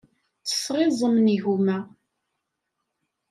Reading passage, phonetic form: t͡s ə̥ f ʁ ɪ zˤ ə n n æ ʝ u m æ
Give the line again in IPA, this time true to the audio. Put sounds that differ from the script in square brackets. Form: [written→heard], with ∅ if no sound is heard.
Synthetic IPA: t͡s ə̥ [f→s] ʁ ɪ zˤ ə [n→m] n [æ→i] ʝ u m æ